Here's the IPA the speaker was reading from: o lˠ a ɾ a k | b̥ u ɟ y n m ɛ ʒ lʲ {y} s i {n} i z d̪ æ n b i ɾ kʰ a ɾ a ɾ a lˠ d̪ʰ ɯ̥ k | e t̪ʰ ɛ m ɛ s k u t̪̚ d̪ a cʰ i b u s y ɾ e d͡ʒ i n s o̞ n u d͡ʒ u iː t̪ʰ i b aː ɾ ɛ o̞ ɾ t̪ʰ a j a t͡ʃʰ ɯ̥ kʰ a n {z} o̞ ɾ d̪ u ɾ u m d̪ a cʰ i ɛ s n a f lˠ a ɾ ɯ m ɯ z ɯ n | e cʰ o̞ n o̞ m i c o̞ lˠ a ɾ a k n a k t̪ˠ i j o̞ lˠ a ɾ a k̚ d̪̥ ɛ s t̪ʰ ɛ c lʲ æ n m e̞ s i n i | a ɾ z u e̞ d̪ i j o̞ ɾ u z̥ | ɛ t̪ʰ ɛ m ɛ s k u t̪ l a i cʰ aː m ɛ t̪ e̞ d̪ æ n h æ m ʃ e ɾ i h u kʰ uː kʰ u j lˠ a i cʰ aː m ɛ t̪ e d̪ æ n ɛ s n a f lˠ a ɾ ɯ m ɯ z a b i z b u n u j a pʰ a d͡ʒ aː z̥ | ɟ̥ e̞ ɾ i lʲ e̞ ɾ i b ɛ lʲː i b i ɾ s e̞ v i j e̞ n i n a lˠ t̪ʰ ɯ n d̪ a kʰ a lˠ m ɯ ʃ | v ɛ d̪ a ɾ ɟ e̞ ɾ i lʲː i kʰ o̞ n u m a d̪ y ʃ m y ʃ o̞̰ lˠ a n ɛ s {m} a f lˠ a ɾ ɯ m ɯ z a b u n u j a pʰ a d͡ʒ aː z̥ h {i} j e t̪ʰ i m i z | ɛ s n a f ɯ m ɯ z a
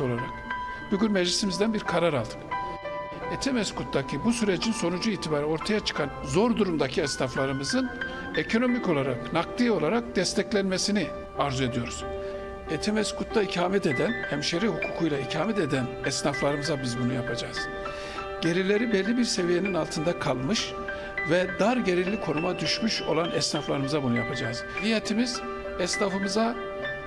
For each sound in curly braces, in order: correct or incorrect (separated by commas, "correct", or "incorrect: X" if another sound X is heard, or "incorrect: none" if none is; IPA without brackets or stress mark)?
incorrect: i, incorrect: m, correct, incorrect: n, correct